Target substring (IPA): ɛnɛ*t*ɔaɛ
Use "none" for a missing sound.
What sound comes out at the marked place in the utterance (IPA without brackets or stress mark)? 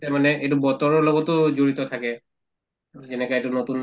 k